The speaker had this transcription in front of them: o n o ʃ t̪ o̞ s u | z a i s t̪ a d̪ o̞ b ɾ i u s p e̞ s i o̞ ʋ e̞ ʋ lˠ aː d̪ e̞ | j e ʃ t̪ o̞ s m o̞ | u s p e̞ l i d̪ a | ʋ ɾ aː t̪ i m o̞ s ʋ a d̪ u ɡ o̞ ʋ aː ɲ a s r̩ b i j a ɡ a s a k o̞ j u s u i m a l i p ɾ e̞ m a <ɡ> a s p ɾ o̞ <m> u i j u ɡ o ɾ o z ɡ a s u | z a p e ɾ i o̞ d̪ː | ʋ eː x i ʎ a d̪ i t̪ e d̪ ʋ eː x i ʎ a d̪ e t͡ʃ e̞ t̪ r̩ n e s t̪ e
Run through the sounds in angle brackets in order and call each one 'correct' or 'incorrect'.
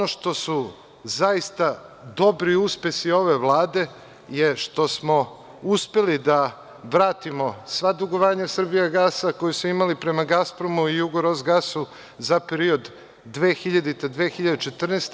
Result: correct, correct

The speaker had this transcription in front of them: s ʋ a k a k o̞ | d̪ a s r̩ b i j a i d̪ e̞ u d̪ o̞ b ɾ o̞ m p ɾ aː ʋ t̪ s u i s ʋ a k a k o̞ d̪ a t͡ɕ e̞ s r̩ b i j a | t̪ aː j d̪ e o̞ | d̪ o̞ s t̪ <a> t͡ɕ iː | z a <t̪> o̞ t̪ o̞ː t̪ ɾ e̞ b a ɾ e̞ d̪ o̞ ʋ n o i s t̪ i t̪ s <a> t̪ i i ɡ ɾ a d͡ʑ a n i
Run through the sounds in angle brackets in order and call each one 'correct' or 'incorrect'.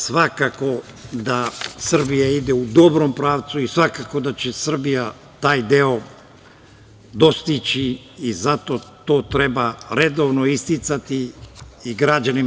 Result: incorrect: i, correct, correct

